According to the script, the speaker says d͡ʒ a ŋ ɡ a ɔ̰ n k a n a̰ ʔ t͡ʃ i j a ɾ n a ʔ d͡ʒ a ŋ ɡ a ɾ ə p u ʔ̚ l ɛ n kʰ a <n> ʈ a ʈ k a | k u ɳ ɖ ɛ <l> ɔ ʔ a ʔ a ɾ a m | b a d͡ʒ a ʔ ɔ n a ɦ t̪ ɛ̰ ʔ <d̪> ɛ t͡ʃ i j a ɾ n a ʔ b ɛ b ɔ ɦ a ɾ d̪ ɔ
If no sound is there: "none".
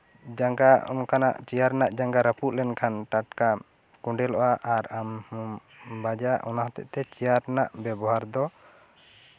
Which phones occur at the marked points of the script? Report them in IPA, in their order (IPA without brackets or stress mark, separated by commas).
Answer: n, l, t̪